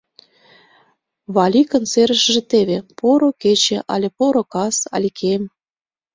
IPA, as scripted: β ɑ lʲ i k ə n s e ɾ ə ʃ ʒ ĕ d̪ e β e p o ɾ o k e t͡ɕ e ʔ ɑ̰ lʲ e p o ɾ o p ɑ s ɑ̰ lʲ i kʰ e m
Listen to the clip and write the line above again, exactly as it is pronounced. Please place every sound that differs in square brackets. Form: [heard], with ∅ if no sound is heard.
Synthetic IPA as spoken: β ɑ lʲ i k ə n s e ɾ ə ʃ ʒ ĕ [t̪] e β e p o ɾ o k e t͡ɕ e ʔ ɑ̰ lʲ e p o ɾ o [k] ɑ s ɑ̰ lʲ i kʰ e m